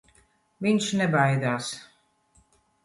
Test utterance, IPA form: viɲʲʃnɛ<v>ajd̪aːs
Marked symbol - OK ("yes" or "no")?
no